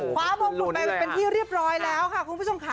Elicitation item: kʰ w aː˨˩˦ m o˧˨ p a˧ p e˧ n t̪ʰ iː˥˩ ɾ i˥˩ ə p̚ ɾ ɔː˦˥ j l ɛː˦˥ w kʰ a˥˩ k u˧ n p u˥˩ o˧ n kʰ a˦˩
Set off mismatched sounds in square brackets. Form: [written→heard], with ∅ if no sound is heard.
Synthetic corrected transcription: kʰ w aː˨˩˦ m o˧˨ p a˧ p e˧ n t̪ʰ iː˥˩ ɾ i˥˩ ə p̚ ɾ ɔː˦˥ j l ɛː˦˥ w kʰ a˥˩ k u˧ n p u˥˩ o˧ [n→m] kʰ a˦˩